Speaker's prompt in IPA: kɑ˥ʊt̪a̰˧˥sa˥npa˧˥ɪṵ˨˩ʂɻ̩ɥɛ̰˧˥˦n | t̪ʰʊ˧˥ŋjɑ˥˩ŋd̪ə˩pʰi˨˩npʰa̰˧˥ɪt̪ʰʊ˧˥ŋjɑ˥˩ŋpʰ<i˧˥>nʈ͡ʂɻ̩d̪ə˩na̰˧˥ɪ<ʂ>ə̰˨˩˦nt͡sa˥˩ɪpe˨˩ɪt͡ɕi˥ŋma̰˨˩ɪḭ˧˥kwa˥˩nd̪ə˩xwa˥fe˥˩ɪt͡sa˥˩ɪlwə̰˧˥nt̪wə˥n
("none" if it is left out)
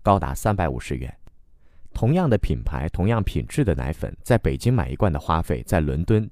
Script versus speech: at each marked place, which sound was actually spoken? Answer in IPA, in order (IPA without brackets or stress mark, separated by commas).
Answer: i˨˩, f